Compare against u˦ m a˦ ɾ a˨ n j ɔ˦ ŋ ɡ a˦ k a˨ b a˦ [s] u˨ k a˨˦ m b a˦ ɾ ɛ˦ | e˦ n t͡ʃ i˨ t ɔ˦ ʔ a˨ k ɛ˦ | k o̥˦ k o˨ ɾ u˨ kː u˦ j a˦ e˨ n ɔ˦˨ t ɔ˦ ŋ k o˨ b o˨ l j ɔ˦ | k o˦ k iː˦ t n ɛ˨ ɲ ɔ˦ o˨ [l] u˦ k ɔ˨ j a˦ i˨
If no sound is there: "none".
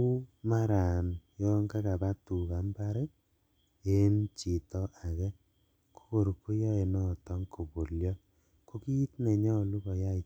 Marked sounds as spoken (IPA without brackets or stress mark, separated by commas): t, l